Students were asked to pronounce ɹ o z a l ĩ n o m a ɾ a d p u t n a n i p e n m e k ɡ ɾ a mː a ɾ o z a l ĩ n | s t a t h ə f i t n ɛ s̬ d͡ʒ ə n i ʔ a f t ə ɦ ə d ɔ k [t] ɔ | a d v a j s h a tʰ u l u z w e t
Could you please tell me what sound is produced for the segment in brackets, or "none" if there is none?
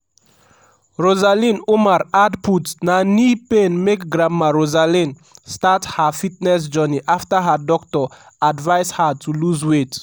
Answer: t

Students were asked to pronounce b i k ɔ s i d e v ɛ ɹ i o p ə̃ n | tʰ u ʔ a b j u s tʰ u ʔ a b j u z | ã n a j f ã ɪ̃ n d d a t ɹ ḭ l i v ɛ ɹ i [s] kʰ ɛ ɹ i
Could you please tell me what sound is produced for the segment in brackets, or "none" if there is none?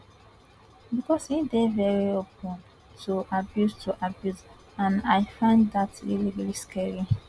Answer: s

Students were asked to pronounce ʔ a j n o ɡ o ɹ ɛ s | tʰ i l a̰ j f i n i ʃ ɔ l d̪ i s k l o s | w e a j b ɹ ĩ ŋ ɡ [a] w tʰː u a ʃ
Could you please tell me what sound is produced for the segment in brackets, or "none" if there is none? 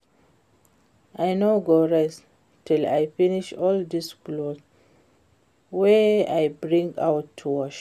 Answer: a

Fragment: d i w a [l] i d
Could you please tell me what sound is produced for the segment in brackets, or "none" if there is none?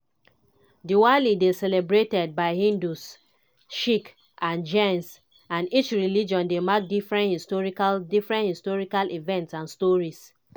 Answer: l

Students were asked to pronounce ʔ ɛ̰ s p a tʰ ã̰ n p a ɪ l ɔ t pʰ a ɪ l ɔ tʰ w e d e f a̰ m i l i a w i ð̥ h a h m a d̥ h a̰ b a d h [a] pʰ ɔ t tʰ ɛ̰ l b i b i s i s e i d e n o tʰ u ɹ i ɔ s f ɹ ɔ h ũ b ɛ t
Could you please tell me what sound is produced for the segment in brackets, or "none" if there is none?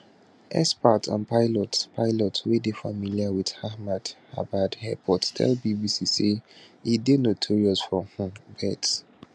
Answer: ɛ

